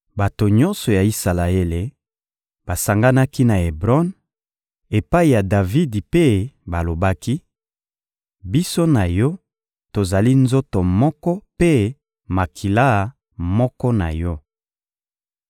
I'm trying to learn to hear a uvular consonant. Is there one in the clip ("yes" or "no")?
yes